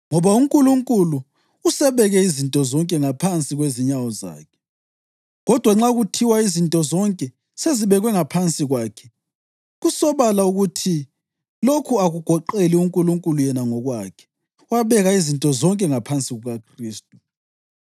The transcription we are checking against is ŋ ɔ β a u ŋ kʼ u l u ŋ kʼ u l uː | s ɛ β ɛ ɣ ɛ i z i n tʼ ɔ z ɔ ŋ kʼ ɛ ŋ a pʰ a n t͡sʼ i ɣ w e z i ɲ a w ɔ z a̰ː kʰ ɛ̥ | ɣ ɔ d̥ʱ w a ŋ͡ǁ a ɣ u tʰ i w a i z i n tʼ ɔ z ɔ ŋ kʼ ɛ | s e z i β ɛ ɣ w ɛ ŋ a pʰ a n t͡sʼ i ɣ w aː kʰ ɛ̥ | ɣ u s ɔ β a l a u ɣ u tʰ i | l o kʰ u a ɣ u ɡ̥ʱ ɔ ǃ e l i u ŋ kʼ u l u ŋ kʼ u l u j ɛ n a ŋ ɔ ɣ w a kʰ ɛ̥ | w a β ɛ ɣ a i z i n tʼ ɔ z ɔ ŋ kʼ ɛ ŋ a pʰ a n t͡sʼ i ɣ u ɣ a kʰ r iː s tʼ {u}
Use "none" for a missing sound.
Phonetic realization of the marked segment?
u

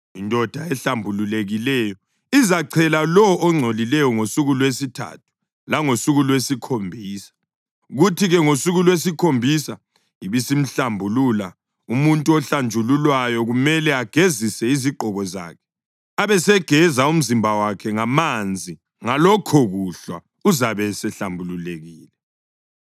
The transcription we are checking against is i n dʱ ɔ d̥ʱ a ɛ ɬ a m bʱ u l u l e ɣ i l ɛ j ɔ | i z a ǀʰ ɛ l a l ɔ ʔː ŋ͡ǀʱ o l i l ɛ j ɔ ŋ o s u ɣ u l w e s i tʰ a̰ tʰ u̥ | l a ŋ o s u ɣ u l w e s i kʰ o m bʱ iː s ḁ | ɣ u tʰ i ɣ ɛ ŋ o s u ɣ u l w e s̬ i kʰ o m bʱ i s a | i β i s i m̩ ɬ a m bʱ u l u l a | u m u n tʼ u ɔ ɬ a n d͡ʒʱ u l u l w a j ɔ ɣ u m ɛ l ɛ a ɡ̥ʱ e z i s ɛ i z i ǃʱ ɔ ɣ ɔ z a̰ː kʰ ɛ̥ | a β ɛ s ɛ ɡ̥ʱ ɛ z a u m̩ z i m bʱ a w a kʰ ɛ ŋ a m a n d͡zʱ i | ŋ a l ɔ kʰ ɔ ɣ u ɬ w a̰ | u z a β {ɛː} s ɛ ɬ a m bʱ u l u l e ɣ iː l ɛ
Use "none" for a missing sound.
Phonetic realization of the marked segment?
ɛ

